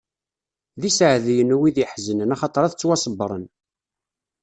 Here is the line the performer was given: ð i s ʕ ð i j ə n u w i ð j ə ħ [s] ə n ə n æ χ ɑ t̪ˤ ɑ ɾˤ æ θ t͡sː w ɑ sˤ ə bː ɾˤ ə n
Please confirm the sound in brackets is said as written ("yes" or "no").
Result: no